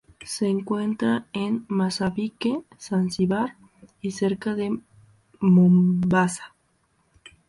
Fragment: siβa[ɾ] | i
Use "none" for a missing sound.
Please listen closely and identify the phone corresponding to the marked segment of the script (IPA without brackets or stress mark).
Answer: ɾ